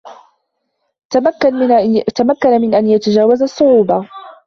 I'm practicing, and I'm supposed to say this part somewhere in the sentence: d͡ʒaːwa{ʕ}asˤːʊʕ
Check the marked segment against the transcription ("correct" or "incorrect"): incorrect